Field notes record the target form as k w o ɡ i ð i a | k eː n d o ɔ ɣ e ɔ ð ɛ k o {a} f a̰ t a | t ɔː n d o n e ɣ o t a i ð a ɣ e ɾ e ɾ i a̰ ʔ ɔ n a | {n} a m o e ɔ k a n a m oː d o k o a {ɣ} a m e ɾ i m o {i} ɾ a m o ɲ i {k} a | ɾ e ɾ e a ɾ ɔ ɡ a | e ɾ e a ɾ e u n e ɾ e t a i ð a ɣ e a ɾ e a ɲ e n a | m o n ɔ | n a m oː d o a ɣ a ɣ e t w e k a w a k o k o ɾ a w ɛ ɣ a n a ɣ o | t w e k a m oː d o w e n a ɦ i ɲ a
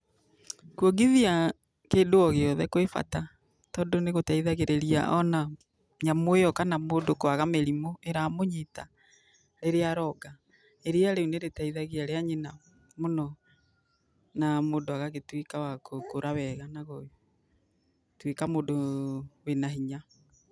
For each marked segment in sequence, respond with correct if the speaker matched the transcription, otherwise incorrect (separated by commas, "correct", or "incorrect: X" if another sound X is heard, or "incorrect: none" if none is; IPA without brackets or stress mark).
incorrect: e, incorrect: ɲ, correct, incorrect: e, incorrect: t